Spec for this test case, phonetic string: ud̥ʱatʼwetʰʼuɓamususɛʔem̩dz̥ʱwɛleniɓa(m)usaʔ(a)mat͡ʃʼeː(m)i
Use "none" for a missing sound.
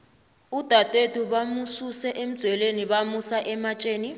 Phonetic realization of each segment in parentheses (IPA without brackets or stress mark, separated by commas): m, ɛ, n